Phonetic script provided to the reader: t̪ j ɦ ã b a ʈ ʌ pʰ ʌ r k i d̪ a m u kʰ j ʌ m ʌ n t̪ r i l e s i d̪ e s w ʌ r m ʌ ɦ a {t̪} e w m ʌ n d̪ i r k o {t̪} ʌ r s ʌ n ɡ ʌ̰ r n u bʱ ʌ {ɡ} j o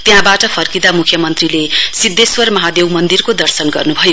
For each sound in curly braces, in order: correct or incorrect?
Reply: incorrect: d̪, incorrect: d̪, incorrect: none

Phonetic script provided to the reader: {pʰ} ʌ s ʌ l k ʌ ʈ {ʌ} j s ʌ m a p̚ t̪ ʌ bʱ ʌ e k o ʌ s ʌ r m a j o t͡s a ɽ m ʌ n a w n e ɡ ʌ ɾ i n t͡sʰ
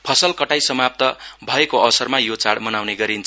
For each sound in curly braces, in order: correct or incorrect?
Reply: correct, incorrect: a

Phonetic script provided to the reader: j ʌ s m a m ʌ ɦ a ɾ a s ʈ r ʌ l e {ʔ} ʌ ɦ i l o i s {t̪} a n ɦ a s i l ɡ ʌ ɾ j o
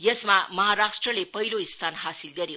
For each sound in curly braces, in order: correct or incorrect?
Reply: incorrect: p, incorrect: t̪ʰ

